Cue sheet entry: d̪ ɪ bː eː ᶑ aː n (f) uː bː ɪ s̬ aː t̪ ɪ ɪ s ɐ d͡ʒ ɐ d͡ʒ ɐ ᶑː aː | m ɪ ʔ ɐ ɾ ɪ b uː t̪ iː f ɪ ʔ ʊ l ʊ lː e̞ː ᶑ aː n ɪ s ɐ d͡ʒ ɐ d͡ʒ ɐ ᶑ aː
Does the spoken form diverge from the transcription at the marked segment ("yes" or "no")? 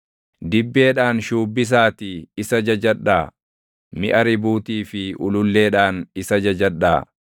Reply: yes